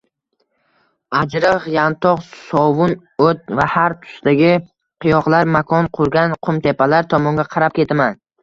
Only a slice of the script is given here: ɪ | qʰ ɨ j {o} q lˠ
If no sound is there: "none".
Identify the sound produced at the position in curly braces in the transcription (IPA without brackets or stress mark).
ɒ